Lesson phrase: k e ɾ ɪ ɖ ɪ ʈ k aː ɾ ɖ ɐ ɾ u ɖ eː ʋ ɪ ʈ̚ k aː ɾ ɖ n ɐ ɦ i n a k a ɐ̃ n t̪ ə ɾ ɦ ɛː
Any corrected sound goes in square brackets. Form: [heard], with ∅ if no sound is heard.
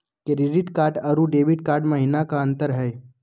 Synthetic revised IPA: k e ɾ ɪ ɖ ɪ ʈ k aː ɾ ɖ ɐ ɾ u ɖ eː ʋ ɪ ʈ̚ k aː ɾ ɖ [m] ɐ ɦ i n a k a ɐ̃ n t̪ ə ɾ ɦ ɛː